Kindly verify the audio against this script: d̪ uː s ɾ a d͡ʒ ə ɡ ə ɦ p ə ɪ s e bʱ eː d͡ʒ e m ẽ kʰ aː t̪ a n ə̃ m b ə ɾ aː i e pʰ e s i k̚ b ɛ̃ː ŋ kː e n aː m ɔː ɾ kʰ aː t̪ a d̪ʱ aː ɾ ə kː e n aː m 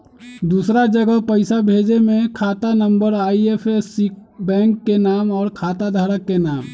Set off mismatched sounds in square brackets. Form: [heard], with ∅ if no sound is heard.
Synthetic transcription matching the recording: d̪ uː s ɾ a d͡ʒ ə ɡ ə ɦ p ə ɪ s [a] bʱ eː d͡ʒ e m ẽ kʰ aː t̪ a n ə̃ m b ə ɾ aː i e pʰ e s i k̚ b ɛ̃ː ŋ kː e n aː m ɔː ɾ kʰ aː t̪ a d̪ʱ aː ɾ ə kː e n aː m